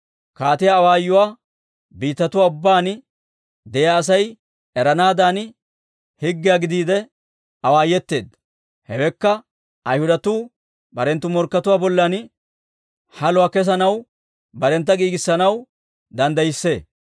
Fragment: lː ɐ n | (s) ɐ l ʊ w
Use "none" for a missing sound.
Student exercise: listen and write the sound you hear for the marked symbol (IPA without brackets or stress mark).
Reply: h